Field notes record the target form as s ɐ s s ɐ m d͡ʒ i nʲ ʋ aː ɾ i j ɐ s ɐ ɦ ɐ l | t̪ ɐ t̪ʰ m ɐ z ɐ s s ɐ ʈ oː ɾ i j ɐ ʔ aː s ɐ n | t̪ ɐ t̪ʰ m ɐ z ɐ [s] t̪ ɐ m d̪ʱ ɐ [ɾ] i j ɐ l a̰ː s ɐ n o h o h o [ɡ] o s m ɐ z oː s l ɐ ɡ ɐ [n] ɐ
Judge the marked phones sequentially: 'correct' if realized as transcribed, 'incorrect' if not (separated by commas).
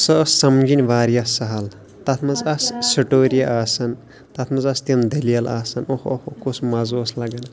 correct, incorrect, incorrect, correct